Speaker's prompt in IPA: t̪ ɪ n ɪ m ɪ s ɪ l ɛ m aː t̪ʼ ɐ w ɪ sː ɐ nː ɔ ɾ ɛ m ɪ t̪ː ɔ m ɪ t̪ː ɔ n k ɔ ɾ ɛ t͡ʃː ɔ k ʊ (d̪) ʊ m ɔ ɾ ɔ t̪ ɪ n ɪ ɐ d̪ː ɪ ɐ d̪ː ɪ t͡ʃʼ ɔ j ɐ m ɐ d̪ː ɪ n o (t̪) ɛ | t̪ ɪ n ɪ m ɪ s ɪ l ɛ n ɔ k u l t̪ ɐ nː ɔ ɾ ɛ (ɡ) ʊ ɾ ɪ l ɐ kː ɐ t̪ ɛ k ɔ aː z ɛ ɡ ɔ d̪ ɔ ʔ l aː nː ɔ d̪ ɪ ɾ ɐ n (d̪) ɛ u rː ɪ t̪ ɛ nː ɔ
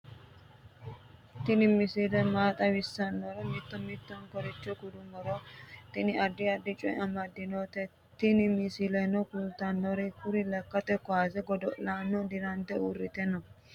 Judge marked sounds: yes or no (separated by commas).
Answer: yes, yes, no, no